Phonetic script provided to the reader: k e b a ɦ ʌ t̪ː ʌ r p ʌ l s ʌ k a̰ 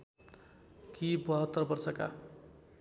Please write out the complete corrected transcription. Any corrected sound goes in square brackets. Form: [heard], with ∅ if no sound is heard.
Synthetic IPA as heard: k [i] b [ʌ] ɦ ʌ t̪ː ʌ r [b] ʌ [r] s ʌ k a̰